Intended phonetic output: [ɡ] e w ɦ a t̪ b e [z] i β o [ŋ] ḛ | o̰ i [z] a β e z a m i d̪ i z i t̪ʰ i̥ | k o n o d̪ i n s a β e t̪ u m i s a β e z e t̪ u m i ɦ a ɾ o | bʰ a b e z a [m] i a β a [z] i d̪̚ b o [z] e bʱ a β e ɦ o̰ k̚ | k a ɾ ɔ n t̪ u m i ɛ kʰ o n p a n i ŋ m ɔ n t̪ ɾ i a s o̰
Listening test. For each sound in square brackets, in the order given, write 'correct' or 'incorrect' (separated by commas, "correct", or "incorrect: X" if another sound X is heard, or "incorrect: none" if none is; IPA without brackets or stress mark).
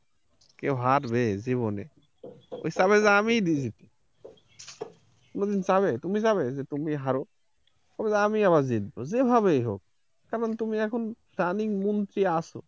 incorrect: k, correct, incorrect: n, incorrect: s, correct, correct, correct